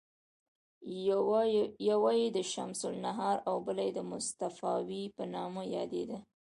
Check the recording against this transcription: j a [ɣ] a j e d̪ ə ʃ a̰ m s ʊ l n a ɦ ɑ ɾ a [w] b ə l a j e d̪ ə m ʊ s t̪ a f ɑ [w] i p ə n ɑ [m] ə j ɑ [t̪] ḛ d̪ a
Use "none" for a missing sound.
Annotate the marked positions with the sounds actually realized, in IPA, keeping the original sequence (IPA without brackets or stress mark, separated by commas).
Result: w, w, w, m, d̪